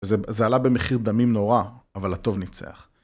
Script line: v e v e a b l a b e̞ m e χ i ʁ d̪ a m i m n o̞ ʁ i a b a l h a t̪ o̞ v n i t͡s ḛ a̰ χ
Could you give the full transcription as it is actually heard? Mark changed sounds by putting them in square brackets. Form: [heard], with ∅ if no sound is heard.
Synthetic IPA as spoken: [z] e [z] e a [∅] l a b e̞ m e χ i ʁ d̪ a m i m n o̞ ʁ [a] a [v] a l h a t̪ o̞ v n i t͡s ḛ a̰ χ